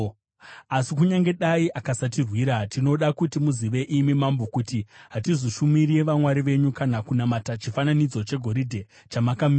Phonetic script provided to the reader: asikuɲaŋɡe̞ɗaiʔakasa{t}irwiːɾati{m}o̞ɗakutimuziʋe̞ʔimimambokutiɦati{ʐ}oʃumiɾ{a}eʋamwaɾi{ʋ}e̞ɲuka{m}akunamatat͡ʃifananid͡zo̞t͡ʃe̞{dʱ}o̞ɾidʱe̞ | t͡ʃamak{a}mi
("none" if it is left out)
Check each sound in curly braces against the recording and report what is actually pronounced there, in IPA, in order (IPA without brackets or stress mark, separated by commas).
t, n, z, i, ʋ, n, ɡʱ, a